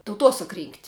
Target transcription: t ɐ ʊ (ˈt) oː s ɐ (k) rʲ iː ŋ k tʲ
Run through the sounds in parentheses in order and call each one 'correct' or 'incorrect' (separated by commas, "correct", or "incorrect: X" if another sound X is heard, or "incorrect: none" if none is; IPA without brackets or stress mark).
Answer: correct, correct